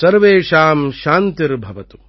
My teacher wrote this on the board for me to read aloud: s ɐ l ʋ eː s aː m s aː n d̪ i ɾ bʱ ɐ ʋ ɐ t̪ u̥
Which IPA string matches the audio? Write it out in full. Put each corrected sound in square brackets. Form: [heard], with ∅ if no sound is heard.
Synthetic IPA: s ɐ [ɾ] ʋ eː [ʃ] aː m [ʃ] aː n [t̪] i ɾ bʱ ɐ ʋ ɐ t̪ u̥